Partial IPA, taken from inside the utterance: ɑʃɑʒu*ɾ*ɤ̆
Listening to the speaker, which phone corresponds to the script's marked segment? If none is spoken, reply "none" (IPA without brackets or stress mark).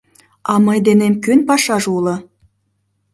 l